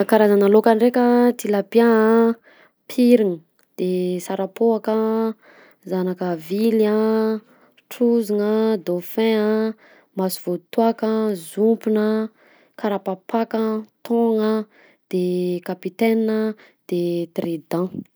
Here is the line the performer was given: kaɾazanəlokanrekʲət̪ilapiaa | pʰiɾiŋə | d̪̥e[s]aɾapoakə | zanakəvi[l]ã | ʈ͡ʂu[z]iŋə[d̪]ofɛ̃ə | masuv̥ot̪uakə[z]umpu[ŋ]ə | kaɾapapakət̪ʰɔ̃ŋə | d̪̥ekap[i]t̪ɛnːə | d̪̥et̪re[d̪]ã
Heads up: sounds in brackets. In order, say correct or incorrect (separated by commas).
correct, correct, correct, correct, correct, incorrect, correct, correct